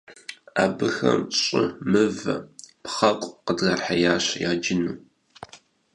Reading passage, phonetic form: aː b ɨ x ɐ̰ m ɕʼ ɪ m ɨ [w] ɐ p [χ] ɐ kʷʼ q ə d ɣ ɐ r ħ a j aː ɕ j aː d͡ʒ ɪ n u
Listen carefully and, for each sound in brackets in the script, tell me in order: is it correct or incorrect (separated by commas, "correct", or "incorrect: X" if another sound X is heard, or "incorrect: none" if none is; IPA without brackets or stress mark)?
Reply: incorrect: v, correct